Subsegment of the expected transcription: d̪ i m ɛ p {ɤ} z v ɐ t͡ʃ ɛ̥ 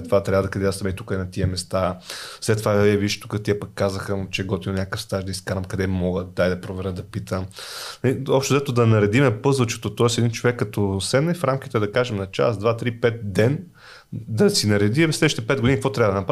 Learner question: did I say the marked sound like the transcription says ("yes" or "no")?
yes